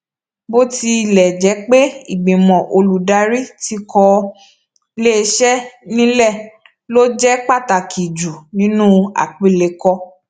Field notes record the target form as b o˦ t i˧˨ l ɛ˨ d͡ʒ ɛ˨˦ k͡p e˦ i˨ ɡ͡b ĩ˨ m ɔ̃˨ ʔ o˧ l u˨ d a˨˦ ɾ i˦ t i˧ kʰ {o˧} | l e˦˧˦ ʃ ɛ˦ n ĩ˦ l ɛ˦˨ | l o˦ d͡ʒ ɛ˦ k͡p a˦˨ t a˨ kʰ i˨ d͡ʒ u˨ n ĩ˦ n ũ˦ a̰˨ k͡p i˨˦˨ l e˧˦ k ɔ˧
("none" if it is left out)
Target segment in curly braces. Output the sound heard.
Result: ɔ˧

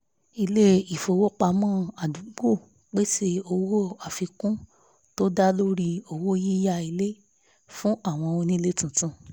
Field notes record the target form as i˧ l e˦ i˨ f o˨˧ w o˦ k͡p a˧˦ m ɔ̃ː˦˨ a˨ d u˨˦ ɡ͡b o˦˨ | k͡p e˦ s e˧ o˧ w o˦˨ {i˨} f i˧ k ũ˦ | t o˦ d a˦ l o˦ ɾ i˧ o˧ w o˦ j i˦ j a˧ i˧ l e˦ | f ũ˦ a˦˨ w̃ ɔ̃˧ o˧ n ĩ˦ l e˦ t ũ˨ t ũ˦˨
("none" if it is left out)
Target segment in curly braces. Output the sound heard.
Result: a˨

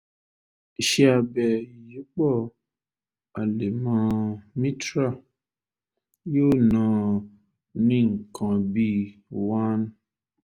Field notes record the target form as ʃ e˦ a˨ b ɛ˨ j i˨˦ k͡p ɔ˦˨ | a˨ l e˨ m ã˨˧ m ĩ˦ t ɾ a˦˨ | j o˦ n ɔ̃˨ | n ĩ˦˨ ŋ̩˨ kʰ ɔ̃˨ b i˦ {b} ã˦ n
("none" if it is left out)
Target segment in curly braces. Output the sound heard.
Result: w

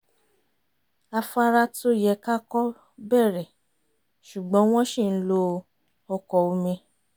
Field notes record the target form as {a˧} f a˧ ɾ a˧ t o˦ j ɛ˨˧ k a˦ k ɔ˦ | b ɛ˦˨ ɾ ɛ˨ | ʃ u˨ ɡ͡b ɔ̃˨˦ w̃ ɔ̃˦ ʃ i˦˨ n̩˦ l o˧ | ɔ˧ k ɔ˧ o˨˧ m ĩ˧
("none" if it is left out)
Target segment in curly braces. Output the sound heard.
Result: a˧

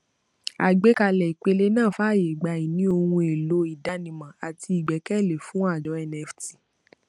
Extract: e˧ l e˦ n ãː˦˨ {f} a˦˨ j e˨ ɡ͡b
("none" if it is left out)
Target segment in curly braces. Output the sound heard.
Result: f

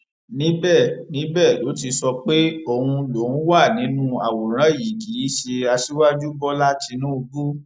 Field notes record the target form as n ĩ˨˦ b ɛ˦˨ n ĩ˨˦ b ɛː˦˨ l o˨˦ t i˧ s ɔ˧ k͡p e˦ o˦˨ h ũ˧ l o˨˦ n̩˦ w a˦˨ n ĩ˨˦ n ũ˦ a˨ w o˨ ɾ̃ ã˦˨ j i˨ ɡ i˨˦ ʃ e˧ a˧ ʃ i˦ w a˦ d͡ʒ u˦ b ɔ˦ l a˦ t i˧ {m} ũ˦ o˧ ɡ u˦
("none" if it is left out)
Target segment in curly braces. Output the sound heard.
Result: n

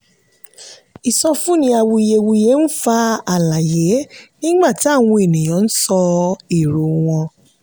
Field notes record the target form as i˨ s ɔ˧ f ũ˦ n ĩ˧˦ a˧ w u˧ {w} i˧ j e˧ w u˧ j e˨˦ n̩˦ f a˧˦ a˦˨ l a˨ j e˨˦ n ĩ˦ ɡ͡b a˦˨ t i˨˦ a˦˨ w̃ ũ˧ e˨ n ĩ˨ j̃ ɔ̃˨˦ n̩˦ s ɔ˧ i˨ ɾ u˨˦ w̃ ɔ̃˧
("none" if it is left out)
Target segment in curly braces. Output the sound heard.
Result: none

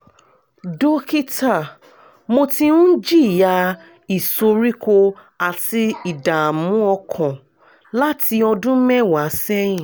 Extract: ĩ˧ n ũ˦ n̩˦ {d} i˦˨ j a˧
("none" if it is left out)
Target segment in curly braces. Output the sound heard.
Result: d͡ʒ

